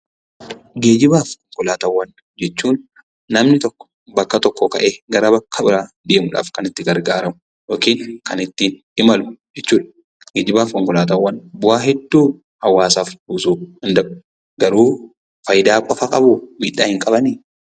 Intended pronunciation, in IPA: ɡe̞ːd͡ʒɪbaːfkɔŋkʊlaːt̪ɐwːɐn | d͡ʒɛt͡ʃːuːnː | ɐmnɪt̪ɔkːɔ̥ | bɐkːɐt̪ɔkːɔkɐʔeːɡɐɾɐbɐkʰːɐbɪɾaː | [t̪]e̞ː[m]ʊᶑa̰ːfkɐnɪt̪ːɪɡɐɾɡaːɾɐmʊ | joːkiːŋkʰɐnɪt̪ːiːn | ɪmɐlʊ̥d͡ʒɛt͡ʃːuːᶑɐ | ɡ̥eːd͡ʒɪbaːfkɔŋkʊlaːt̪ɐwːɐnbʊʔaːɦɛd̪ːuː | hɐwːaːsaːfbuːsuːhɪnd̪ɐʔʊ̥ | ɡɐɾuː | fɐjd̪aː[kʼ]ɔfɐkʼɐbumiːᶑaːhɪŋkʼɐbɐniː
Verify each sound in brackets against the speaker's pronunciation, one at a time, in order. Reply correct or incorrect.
incorrect, correct, correct

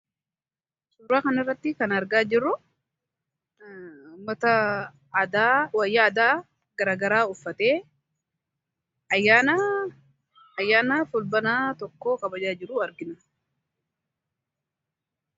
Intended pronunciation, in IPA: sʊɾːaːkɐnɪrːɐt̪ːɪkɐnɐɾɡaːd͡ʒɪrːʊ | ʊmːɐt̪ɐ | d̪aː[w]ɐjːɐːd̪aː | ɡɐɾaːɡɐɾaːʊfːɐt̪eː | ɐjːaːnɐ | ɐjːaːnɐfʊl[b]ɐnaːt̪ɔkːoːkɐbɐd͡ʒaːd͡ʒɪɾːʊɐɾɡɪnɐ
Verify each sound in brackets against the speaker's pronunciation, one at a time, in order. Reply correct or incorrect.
correct, correct

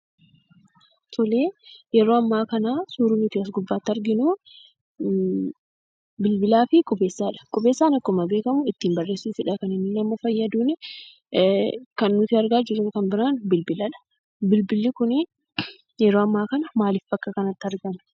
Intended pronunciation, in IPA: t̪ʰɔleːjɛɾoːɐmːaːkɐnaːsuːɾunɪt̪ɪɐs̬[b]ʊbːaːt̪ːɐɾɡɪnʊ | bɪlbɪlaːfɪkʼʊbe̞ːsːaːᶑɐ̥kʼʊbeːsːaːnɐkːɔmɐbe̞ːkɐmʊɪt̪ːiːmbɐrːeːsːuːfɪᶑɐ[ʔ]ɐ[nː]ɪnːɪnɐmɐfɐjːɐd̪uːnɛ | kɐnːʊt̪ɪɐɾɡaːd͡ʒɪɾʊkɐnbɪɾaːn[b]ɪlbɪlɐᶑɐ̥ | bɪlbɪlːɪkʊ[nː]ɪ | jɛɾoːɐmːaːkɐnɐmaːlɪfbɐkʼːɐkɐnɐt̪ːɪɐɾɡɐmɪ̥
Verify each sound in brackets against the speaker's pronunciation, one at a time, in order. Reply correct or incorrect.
incorrect, incorrect, incorrect, correct, incorrect

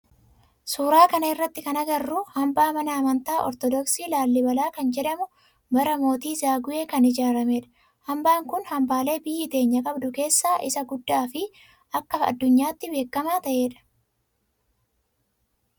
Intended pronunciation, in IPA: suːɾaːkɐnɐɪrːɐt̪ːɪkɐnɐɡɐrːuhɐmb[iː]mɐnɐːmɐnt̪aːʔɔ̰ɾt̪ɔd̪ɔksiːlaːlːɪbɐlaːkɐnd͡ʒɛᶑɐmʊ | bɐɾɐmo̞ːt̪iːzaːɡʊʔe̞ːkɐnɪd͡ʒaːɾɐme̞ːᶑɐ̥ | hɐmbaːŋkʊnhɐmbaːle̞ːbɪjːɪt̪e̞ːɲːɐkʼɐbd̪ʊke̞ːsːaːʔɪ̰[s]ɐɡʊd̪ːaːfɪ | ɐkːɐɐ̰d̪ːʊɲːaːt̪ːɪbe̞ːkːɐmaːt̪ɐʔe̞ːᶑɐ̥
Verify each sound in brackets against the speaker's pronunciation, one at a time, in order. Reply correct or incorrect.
incorrect, correct

